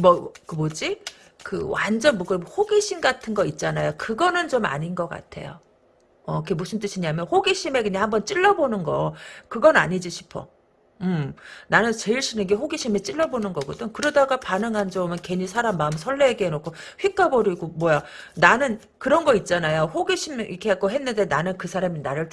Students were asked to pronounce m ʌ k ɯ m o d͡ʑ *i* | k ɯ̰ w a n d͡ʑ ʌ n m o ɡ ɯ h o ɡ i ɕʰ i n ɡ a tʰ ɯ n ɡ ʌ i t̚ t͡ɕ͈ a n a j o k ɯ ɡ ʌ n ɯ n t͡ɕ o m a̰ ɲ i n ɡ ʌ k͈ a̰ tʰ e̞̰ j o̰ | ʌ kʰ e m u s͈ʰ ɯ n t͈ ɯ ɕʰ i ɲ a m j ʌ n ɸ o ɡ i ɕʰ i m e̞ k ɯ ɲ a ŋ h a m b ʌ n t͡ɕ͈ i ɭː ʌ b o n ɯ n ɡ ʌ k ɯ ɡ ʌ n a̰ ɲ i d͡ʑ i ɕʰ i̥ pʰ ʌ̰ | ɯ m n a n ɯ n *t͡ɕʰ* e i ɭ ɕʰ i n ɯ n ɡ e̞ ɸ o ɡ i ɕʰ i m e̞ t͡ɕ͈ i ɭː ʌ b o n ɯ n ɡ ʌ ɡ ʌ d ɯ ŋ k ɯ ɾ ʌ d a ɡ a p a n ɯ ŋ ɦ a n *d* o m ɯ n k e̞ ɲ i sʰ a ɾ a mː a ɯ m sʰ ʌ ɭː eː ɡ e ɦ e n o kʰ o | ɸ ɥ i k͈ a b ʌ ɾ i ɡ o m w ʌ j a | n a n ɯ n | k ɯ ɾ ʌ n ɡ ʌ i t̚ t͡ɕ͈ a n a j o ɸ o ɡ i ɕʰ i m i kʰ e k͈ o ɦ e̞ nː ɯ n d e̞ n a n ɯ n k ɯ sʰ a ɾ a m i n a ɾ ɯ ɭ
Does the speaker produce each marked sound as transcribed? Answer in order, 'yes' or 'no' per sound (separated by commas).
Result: yes, no, no